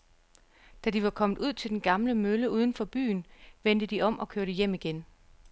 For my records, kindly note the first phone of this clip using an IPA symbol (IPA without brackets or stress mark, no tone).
d̥